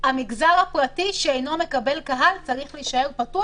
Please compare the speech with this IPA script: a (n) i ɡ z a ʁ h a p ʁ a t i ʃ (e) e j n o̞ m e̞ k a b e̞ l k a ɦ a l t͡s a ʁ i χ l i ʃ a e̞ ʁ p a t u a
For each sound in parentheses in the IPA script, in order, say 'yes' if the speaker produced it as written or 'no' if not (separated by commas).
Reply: no, yes